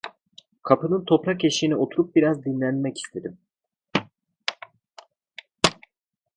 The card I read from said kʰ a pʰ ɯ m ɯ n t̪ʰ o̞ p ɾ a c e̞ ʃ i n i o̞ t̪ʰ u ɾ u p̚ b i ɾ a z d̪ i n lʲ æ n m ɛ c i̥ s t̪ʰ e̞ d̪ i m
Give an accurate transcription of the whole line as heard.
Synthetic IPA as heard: kʰ a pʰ ɯ n ɯ n t̪ʰ o̞ p ɾ a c e̞ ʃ i n i o̞ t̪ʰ u ɾ u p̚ b i ɾ a z d̪ i n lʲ æ n m ɛ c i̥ s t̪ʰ e̞ d̪ i m